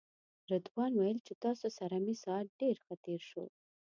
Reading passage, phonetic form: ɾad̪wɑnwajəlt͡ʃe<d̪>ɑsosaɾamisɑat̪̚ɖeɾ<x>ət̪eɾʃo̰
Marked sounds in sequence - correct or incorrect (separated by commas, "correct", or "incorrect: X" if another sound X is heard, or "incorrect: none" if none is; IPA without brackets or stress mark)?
incorrect: t̪, correct